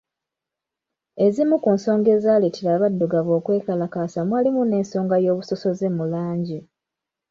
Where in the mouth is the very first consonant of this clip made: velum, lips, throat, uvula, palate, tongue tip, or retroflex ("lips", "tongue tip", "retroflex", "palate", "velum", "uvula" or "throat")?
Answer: tongue tip